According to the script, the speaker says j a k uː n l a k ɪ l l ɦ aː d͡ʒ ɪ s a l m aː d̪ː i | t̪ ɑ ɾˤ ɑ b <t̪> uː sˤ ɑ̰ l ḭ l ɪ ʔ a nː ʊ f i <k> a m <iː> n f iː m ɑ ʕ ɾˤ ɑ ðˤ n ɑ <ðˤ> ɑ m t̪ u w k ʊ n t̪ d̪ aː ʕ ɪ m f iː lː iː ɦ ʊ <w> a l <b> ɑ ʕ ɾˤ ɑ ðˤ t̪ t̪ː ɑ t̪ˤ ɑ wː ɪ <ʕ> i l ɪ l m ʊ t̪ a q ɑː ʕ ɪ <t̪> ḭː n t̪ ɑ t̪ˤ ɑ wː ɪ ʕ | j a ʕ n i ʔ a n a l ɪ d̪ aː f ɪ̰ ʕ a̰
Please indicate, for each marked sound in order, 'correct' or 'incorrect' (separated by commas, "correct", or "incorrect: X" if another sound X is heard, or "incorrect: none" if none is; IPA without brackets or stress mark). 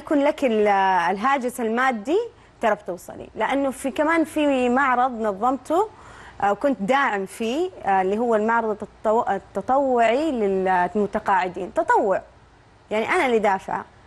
correct, correct, incorrect: aː, incorrect: ðˤː, incorrect: wː, incorrect: m, correct, incorrect: d̪